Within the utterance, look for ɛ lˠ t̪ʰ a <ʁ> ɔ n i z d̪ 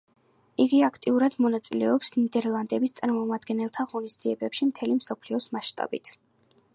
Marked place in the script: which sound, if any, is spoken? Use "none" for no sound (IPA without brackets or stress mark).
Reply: ʁ